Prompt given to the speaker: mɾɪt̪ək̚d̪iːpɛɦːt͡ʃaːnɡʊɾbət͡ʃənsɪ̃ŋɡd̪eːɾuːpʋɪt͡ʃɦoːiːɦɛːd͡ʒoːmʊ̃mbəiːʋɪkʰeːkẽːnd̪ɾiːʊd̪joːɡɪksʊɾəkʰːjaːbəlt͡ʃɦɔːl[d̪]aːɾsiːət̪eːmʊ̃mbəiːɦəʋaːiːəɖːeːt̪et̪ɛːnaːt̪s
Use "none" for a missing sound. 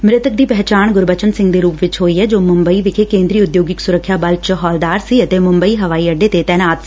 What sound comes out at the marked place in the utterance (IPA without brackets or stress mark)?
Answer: d̪